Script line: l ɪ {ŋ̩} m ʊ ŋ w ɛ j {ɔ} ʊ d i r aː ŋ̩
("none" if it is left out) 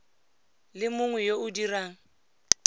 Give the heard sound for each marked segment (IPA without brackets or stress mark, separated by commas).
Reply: none, o